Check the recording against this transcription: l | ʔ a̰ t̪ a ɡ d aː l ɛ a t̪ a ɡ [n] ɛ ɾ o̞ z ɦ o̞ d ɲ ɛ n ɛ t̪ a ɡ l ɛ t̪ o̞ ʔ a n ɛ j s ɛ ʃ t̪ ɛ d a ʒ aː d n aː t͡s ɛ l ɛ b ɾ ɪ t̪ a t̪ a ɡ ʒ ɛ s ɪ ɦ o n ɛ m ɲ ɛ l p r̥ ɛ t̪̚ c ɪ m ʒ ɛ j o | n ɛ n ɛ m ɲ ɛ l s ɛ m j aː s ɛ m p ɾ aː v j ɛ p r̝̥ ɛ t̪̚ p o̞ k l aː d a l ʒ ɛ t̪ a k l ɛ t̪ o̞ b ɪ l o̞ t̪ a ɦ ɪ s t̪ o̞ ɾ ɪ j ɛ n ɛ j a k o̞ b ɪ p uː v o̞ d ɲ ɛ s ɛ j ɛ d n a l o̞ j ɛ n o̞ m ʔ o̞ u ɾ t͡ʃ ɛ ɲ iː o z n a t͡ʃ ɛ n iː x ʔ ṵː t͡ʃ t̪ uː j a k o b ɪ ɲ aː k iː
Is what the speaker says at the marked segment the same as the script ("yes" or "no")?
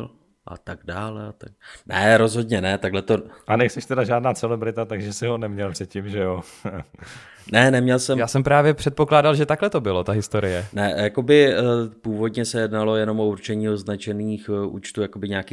yes